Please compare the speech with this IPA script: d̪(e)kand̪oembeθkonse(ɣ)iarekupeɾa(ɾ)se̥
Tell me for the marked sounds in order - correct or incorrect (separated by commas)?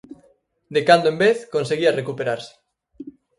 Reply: correct, correct, correct